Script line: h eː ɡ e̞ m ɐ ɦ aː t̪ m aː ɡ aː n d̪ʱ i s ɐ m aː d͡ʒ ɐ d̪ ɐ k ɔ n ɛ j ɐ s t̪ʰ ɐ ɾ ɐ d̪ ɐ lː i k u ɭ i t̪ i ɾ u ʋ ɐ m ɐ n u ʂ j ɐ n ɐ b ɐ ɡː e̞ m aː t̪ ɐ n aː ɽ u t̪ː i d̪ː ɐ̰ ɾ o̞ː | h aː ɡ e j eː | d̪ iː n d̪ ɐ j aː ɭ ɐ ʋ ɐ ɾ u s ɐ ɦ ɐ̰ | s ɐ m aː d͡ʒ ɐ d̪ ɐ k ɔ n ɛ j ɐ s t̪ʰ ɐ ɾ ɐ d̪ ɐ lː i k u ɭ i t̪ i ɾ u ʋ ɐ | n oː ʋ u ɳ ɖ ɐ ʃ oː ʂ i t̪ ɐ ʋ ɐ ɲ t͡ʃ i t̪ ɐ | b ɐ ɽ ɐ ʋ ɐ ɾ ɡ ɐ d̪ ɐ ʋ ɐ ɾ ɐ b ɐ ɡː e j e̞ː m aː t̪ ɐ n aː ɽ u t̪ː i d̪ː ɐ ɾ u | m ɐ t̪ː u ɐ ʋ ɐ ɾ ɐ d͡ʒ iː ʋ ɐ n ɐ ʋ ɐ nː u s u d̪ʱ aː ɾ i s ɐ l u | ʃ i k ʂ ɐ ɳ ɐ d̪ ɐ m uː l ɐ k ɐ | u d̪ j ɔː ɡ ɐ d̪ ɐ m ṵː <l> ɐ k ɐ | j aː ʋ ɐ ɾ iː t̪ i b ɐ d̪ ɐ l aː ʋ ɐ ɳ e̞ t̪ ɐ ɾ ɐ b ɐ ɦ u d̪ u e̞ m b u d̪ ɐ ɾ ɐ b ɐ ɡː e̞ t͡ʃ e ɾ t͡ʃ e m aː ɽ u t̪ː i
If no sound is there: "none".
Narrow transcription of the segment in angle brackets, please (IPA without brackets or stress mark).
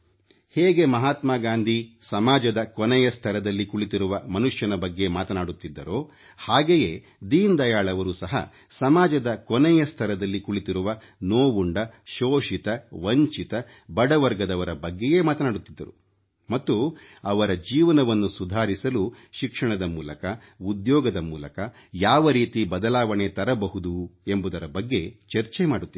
l